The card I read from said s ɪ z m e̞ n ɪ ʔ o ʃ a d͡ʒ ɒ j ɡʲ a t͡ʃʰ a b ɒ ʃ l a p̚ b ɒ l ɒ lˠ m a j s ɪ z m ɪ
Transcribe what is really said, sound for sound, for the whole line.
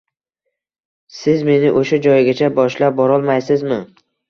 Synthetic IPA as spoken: s ɪ z m e̞ n ɪ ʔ o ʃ a d͡ʒ ɒ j ɡʲ a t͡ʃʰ a b ɒ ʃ l a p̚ b ɒ ɾ ɒ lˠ m a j s ɪ z m ɪ

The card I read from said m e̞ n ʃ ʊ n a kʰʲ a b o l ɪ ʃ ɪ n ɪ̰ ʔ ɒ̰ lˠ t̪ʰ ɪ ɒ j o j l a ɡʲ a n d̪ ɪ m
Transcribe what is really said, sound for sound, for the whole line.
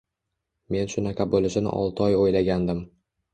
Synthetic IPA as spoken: m e̞ n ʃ ʊ n a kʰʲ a b o l ɪ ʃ ɪ n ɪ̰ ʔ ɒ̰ lˠ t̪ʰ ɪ ɒ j o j l a ɡʲ a n d̪ ɪ m

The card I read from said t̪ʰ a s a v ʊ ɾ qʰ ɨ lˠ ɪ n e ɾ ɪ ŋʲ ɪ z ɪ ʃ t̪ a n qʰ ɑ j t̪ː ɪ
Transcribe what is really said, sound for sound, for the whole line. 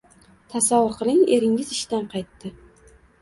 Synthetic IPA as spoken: t̪ʰ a s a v ʊ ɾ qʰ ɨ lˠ ɪ ŋ e ɾ ɪ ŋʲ ɪ z ɪ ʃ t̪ a n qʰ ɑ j t̪ː ɪ

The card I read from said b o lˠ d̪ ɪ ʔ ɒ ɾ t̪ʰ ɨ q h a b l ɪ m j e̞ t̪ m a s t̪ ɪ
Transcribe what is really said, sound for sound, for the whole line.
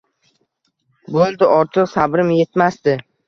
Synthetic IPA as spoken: b o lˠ d̪ ɪ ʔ ɒ ɾ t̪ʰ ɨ q s a b ɾ ɪ m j e̞ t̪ m a s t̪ ɪ

